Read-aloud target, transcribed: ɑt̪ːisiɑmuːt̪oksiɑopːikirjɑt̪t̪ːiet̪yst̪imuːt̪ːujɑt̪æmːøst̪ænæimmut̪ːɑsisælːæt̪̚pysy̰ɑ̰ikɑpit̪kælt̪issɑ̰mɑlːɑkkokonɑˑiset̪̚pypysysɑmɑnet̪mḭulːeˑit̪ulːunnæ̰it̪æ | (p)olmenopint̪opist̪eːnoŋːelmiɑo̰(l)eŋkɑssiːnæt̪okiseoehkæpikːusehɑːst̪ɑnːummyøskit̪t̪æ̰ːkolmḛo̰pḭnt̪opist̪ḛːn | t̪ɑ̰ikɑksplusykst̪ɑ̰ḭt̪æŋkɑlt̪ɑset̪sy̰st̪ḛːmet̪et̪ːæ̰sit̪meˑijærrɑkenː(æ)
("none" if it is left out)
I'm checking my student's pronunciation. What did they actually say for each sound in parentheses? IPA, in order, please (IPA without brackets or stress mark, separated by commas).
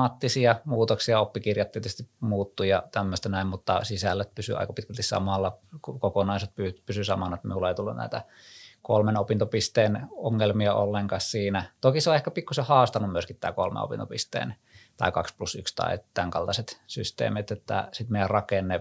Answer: k, lː, e